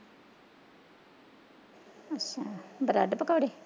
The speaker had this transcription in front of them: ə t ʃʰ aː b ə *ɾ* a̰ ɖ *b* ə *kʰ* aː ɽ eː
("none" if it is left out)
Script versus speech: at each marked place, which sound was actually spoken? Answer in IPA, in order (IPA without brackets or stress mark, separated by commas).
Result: ɾ, p, k